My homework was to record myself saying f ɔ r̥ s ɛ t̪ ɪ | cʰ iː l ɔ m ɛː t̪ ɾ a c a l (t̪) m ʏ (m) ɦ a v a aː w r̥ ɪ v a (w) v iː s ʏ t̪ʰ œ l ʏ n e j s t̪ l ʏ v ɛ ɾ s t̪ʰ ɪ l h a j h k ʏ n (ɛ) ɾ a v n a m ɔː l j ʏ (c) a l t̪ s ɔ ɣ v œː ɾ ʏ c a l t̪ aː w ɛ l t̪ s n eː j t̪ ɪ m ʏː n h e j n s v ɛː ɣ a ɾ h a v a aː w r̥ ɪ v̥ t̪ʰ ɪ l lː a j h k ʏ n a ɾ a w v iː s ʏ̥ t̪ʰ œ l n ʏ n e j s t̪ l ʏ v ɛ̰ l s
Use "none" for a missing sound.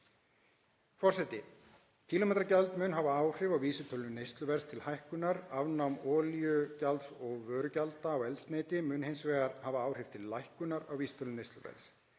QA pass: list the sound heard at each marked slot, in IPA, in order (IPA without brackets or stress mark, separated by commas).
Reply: t̪, n, w, a, c